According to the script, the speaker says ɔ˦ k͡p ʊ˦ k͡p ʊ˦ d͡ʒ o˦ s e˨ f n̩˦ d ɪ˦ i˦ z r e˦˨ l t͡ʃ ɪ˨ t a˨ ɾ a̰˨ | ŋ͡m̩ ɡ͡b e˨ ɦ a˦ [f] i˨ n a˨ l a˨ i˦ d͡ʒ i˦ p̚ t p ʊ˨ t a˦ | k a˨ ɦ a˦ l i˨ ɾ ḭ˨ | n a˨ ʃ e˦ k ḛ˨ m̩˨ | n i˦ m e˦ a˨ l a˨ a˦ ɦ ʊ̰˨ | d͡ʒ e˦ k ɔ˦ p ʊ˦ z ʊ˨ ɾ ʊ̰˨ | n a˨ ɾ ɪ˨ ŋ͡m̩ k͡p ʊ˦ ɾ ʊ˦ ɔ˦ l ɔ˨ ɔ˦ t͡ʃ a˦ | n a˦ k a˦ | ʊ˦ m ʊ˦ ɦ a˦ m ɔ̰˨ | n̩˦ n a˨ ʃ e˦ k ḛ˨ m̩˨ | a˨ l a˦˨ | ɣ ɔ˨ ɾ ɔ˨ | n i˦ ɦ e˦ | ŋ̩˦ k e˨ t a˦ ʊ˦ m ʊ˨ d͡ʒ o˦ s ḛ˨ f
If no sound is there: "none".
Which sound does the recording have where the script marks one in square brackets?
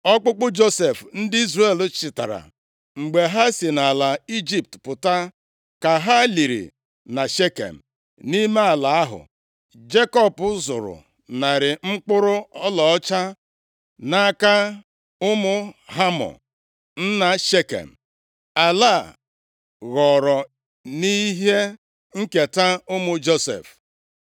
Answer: s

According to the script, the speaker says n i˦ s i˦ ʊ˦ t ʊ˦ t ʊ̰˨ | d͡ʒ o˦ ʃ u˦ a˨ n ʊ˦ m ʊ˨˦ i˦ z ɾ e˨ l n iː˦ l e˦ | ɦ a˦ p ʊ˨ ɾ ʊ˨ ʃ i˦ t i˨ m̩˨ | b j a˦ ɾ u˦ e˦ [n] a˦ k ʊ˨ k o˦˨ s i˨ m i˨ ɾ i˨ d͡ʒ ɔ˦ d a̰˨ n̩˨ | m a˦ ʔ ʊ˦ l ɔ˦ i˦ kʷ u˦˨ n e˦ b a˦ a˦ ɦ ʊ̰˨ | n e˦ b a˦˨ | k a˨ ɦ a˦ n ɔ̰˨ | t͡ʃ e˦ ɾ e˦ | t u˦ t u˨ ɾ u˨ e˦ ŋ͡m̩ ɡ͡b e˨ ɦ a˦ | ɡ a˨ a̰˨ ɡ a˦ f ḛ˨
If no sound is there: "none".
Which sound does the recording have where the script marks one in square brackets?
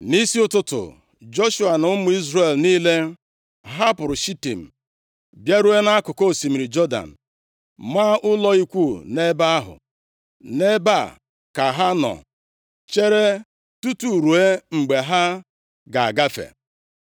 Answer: n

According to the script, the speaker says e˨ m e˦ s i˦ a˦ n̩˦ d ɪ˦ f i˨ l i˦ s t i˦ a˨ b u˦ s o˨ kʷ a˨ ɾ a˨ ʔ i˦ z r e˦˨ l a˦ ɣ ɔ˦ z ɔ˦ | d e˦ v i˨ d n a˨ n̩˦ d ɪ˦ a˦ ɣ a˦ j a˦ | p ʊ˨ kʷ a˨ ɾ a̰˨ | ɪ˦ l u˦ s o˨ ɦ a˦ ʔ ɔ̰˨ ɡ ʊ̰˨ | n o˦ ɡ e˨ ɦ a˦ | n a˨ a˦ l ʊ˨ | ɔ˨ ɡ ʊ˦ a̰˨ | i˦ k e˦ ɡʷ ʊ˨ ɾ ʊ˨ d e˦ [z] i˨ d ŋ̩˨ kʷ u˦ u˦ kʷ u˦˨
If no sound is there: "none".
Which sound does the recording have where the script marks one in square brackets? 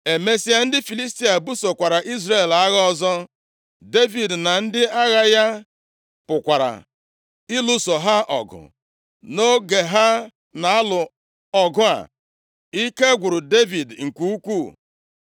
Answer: v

